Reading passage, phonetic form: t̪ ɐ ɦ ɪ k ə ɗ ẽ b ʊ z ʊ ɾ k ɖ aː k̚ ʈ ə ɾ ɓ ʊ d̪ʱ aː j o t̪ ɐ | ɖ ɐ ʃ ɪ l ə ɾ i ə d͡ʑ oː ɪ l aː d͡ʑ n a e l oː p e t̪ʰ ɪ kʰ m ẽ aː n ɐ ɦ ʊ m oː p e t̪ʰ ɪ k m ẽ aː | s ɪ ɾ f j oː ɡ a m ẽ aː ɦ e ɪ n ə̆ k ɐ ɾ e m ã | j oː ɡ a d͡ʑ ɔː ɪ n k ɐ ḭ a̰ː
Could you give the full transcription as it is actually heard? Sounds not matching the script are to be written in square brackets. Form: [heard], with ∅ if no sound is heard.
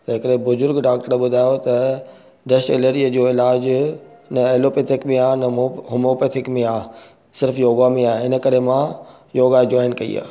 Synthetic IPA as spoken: t̪ ɐ ɦ ɪ k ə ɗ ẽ b ʊ z ʊ ɾ [ɡ] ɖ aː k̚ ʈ ə ɾ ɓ ʊ d̪ʱ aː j o t̪ ɐ | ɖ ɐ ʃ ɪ l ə ɾ i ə d͡ʑ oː ɪ l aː d͡ʑ n [ɐ] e l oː p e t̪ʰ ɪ [k] m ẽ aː n ɐ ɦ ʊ m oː p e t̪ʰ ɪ k m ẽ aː | s ɪ ɾ f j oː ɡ a m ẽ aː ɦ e ɪ n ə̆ k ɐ ɾ e m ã | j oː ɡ a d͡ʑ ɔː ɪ n k ɐ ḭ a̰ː